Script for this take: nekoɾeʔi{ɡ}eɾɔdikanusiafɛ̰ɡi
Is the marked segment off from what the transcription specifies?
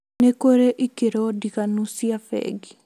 yes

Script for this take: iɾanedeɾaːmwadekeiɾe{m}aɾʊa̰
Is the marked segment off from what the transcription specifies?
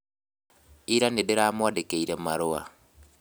no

